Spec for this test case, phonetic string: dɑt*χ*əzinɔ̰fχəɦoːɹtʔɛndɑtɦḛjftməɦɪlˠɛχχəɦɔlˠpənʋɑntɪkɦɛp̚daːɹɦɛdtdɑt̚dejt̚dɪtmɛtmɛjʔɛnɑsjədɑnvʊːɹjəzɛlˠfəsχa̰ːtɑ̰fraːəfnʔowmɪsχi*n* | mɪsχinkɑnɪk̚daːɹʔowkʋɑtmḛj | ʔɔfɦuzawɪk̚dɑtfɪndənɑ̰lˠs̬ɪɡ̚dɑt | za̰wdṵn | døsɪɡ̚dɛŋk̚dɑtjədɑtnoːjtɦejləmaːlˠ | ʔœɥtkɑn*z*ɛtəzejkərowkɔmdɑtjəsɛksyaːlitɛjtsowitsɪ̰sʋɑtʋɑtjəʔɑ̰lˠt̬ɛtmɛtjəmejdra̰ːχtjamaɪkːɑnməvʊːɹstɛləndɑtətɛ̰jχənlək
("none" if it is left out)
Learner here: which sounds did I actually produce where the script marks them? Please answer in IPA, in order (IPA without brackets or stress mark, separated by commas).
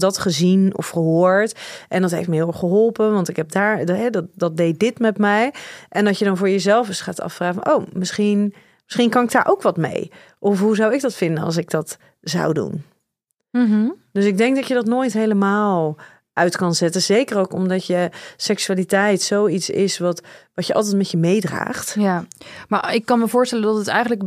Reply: χ, n, z